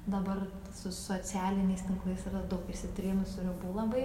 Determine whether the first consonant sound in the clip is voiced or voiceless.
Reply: voiced